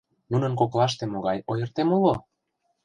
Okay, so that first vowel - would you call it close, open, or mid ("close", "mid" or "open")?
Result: close